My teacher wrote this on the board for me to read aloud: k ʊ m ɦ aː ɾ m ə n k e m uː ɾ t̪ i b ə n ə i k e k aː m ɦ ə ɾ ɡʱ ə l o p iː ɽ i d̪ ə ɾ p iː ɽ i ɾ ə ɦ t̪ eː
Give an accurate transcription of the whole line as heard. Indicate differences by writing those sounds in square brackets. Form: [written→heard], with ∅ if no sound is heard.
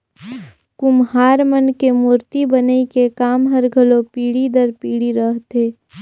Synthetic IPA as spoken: k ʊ m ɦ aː ɾ m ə n k e m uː ɾ t̪ i b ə n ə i k e k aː m ɦ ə ɾ ɡʱ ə l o p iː ɽ i d̪ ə ɾ p iː ɽ i ɾ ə ɦ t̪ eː

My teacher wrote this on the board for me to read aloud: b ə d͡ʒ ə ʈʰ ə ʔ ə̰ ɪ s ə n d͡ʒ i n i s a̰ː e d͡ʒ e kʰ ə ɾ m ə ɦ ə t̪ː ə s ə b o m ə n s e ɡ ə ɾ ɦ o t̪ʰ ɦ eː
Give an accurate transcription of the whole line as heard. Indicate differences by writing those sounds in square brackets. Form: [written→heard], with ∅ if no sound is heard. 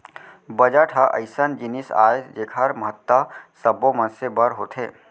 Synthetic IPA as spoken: b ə d͡ʒ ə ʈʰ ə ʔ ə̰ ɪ s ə n d͡ʒ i n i s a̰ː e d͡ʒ e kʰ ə ɾ m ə ɦ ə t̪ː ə s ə b o m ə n s e [ɡ→b] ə ɾ ɦ o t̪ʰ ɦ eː

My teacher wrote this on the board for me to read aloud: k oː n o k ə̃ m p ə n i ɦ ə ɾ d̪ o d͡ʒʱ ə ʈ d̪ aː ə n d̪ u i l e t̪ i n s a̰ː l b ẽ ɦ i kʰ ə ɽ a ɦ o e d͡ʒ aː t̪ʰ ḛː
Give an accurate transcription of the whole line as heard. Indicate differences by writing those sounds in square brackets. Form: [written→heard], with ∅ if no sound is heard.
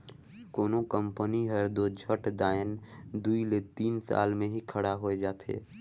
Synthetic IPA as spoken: k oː n o k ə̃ m p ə n i ɦ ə ɾ d̪ o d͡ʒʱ ə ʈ d̪ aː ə n d̪ u i l e t̪ [i→iː] n s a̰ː l [b→m] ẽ ɦ i kʰ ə ɽ a ɦ o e d͡ʒ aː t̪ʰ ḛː

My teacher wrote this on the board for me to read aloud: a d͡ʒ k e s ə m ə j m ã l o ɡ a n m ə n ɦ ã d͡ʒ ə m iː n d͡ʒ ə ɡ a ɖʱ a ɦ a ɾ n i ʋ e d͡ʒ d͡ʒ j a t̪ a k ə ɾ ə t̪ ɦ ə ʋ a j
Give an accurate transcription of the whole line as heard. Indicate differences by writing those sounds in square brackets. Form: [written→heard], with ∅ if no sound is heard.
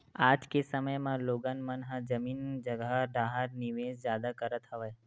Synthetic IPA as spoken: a d͡ʒ k e s ə m ə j m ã l o ɡ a n m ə n ɦ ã d͡ʒ ə m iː n d͡ʒ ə ɡ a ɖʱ a ɦ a ɾ n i ʋ e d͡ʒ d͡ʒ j a [t̪→d̪] a k ə ɾ ə t̪ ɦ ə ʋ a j

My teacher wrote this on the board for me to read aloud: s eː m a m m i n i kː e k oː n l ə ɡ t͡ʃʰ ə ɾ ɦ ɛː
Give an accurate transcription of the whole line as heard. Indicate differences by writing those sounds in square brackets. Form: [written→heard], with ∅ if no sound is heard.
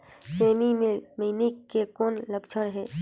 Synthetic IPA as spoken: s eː m [a→i] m m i n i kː e k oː n l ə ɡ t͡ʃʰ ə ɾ ɦ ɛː

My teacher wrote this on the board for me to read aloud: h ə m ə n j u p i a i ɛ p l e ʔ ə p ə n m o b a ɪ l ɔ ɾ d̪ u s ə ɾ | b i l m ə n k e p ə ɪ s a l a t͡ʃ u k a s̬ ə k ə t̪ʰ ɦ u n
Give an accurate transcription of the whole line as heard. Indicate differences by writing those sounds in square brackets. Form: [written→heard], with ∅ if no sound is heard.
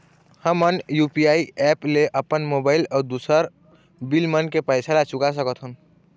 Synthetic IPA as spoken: h ə m ə n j u p i a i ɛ p l e ʔ ə p ə n m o b a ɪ l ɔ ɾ d̪ u s ə ɾ | b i l m ə n k e p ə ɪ s a l a t͡ʃ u k a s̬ ə k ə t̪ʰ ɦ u n

